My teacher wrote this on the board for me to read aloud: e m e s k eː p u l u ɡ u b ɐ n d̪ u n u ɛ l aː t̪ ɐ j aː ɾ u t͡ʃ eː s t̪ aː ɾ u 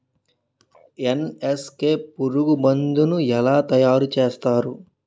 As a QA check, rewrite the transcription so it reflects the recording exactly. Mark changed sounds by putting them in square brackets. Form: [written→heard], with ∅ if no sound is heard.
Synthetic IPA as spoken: e [m→n] e s k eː p u [l→ɾ] u ɡ u b ɐ n d̪ u n u ɛ l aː t̪ ɐ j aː ɾ u t͡ʃ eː s t̪ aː ɾ u